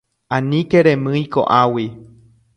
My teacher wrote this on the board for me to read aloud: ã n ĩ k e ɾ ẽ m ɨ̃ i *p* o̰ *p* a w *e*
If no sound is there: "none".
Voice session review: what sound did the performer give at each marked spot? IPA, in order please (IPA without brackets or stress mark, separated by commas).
k, ʔ, i